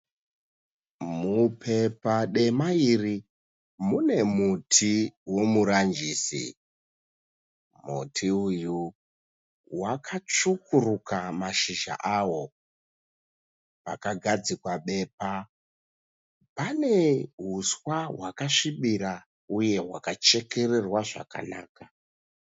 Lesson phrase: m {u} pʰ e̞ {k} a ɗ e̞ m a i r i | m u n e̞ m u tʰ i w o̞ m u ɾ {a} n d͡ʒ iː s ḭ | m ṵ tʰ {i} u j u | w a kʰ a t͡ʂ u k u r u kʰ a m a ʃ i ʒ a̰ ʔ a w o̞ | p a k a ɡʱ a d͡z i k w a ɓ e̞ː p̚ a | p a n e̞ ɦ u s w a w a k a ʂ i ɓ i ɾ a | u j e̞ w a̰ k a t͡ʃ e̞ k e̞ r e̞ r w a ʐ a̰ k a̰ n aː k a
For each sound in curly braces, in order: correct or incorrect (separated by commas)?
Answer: correct, incorrect, correct, correct